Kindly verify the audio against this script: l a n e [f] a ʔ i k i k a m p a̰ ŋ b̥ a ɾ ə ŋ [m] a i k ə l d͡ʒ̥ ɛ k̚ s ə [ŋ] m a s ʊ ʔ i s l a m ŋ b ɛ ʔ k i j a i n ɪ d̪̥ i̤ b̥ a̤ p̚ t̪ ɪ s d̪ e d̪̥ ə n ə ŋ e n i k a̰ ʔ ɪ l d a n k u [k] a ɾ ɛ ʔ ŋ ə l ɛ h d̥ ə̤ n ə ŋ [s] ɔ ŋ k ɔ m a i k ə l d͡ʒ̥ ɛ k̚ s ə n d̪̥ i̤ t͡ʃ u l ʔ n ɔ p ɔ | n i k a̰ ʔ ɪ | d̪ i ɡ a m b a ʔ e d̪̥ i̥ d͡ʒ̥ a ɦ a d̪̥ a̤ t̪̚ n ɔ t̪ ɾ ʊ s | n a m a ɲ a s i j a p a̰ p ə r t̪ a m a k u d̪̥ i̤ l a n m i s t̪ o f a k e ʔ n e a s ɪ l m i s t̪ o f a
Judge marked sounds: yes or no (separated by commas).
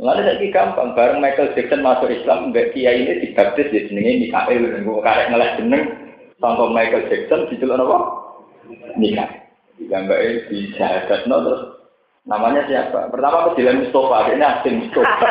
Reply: no, yes, no, yes, yes